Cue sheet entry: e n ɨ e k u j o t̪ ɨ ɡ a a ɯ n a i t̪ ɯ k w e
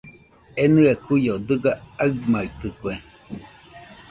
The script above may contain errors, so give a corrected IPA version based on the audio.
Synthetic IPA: e n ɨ e k u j o d̪ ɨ ɡ a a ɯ m a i t̪ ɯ k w e